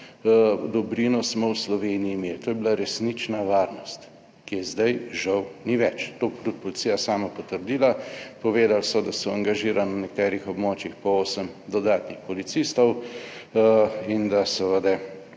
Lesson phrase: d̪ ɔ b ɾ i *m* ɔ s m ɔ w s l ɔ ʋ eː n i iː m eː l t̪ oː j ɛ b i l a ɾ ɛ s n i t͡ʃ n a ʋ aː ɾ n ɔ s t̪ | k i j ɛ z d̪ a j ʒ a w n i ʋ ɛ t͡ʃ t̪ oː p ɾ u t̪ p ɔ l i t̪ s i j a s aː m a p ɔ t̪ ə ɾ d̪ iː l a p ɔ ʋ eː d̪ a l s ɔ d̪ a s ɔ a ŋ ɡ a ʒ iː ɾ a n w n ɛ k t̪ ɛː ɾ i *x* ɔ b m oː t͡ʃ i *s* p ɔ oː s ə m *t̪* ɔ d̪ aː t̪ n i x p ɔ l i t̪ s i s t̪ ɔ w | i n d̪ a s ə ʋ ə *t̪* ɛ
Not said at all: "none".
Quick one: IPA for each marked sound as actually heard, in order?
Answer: n, x, x, d̪, d̪

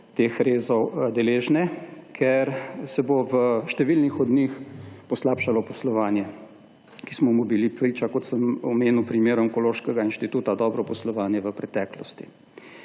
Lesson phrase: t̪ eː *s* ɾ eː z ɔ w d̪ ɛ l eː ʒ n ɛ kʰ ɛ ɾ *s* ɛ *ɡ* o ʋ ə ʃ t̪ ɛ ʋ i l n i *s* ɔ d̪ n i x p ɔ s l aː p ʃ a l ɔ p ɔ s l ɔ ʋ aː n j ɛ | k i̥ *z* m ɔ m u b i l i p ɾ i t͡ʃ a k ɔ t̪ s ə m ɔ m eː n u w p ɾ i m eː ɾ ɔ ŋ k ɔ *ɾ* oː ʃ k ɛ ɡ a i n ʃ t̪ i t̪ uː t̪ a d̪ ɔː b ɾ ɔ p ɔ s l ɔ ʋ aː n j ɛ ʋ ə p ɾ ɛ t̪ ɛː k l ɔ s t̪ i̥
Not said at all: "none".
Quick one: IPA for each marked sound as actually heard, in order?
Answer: x, s, b, x, s, l

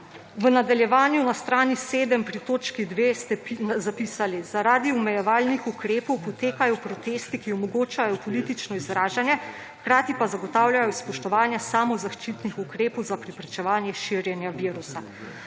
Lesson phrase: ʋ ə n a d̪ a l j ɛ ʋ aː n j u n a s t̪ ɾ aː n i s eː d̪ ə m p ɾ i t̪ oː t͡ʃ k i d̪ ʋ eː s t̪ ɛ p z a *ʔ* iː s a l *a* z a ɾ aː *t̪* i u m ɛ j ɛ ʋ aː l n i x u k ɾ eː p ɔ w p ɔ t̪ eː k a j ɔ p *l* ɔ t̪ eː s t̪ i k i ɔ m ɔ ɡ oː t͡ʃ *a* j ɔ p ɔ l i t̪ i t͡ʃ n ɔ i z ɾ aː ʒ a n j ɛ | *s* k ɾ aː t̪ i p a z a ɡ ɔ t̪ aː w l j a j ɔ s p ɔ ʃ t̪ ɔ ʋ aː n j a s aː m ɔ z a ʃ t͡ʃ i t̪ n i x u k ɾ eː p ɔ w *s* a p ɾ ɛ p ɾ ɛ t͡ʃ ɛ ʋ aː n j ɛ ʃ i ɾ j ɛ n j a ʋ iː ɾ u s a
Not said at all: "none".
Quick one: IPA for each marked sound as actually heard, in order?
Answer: p, i, d̪, ɾ, a, x, z

